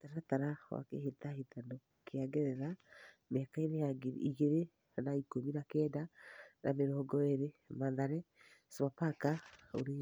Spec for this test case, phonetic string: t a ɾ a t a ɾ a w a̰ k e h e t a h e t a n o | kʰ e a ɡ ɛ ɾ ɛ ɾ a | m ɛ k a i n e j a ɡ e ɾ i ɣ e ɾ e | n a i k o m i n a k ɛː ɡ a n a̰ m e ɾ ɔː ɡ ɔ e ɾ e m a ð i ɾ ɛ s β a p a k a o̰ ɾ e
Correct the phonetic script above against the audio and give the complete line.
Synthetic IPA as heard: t a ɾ a t a ɾ a w a̰ k e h e t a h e t a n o | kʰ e a ɡ ɛ ɾ ɛ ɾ a | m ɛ k a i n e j a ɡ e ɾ i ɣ e ɾ e | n a i k o m i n a k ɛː d a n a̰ m e ɾ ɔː ɡ ɔ e ɾ e m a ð a ɾ ɛ s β a p a k a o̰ ɾ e